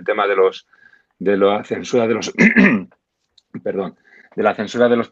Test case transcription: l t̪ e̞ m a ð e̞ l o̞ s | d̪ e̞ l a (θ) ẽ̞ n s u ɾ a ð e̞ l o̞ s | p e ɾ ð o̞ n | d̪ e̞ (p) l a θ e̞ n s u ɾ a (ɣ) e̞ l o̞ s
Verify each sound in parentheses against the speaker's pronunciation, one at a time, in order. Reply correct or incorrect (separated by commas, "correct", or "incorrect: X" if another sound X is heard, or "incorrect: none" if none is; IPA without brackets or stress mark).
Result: correct, incorrect: none, incorrect: ð